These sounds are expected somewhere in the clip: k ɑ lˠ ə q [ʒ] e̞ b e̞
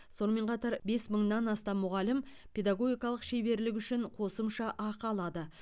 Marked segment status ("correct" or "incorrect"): incorrect